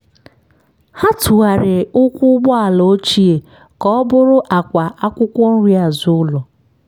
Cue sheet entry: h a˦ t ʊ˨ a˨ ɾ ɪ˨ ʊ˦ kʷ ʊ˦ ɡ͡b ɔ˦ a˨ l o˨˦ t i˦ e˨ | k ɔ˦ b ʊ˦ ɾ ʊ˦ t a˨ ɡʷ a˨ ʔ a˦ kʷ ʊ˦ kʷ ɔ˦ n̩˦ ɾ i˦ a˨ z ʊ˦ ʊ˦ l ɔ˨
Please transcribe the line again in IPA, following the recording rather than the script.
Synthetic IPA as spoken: h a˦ t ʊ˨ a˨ ɾ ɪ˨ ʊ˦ kʷ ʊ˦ ɡ͡b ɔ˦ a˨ l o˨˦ t͡ʃ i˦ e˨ | k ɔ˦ b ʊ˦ ɾ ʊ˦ ʔ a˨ kʷ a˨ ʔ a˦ kʷ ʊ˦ kʷ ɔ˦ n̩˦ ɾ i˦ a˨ z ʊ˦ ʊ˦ l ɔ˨